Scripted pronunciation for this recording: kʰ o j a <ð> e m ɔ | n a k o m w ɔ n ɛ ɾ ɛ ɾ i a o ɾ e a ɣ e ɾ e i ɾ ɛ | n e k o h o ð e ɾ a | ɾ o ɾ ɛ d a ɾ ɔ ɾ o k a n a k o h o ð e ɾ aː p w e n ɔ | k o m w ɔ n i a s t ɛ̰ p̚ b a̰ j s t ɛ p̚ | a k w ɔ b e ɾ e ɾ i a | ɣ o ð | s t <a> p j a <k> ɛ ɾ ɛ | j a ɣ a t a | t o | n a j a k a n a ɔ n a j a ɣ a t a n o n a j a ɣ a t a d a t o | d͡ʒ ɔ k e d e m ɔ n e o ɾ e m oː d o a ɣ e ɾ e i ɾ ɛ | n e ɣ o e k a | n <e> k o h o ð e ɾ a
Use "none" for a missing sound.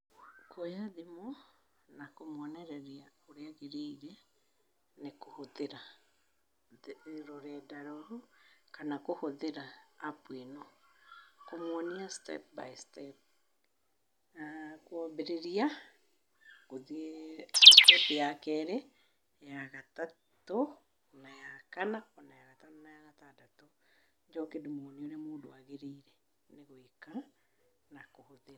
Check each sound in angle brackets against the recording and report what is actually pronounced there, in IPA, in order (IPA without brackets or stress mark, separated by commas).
ð, ɛ, k, a